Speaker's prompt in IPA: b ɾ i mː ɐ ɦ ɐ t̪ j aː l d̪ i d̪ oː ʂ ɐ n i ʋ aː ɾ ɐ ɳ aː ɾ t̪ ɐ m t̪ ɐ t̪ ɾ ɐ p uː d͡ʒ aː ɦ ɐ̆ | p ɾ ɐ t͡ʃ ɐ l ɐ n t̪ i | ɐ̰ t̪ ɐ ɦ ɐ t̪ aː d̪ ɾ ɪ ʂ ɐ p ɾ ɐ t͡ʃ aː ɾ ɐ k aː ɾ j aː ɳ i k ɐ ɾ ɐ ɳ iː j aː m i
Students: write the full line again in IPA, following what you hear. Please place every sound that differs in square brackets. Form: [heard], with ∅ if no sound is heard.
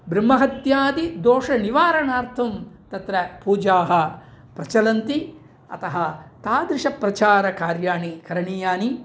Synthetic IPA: b ɾ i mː ɐ ɦ ɐ t̪ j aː [∅] d̪ i d̪ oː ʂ ɐ n i ʋ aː ɾ ɐ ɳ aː ɾ [t̪ʰ] ɐ m t̪ ɐ t̪ ɾ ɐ p uː d͡ʒ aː ɦ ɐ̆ | p ɾ ɐ t͡ʃ ɐ l ɐ n t̪ i | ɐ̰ t̪ ɐ ɦ ɐ t̪ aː d̪ ɾ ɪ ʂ ɐ p ɾ ɐ t͡ʃ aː ɾ ɐ k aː ɾ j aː ɳ i k ɐ ɾ ɐ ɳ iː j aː [n] i